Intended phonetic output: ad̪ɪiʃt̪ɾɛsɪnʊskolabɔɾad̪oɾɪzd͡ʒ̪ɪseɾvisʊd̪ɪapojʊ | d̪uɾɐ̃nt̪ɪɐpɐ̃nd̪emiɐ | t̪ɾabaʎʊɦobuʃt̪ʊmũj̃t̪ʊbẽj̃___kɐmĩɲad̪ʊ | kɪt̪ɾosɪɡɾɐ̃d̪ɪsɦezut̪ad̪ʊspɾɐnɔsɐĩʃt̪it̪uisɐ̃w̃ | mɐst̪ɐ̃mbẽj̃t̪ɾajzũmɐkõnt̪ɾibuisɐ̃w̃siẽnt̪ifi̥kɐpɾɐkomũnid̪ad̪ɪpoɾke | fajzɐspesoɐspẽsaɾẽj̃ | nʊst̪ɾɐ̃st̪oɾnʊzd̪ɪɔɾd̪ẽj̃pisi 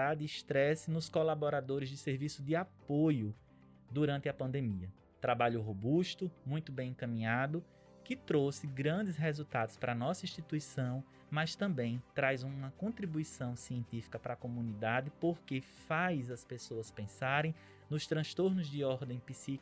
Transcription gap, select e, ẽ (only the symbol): ẽ